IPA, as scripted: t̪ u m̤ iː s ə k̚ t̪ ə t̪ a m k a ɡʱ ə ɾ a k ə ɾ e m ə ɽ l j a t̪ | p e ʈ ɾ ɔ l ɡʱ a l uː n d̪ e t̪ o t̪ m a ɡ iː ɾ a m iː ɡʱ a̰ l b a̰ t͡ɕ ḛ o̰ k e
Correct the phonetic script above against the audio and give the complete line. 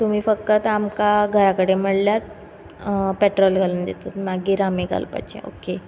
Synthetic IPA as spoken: t̪ u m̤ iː f ə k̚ t̪ ə t̪ a m k a ɡʱ ə ɾ a k ə ɽ e m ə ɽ l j a t̪ | p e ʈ ɾ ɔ l ɡʱ a l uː n d̪ e t̪ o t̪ m a ɡ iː ɾ a m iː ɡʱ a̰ l p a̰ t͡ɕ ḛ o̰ k e